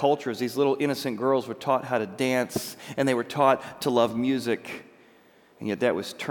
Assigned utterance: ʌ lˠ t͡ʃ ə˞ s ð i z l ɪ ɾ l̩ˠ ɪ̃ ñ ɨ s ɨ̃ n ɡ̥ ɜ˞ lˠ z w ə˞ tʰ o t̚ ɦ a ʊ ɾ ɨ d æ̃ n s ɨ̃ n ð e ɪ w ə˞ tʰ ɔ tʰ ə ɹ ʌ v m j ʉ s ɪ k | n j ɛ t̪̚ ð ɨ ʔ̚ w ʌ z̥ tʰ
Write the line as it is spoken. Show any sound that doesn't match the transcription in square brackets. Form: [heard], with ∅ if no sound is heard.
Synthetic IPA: ʌ lˠ t͡ʃ ə˞ [z] ð i z l ɪ ɾ l̩ˠ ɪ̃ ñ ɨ s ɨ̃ n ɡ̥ ɜ˞ lˠ z w ə˞ tʰ [ɔ] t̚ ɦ a ʊ ɾ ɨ d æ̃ n s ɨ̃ n ð e ɪ w ə˞ tʰ ɔ tʰ ə [l] ʌ v m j ʉ [z] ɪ k | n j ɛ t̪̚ ð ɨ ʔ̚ w ʌ z̥ tʰ